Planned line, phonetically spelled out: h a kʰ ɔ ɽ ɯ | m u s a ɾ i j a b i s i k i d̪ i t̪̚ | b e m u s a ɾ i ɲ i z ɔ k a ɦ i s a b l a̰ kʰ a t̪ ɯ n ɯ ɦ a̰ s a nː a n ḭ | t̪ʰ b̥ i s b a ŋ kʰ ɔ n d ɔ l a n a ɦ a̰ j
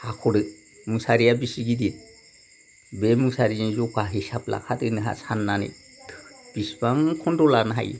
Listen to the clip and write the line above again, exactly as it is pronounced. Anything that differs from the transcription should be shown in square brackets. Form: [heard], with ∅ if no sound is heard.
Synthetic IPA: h a kʰ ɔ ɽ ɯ | m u s a ɾ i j a b i s i [ɡ] i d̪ i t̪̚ | b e m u s a ɾ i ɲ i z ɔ k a ɦ i s a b l a̰ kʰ a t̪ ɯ n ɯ ɦ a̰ s a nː a n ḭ | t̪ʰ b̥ i s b a ŋ kʰ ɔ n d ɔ l a n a ɦ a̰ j